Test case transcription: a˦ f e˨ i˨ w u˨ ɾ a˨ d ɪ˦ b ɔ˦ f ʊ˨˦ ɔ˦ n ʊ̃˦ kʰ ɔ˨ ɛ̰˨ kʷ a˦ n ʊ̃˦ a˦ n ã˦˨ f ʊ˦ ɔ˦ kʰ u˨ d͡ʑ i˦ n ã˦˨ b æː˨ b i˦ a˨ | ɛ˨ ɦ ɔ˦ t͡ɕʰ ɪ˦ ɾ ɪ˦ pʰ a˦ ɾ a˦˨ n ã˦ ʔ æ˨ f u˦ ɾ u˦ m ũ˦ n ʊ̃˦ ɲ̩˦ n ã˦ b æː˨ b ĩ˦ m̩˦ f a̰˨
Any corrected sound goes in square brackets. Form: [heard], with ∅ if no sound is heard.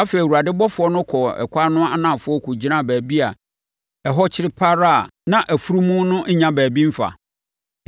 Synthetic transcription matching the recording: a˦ f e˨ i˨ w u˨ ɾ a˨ d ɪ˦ b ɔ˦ f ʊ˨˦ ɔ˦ n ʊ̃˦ kʰ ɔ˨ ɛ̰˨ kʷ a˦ n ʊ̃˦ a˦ n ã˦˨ f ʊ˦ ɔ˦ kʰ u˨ d͡ʑ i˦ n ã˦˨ b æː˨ b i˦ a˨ | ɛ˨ ɦ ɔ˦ t͡ɕʰ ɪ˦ ɾ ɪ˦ pʰ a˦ ɾ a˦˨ n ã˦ ʔ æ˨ f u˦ ɾ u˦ m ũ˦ n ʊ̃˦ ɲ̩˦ [ɲ] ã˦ b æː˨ b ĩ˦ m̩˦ f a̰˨